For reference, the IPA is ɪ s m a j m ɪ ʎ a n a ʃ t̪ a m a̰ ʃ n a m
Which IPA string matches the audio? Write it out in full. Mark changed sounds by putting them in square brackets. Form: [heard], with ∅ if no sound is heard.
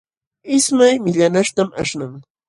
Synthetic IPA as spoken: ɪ s m a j m ɪ ʎ a n a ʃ t̪ a m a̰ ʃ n a [ŋ]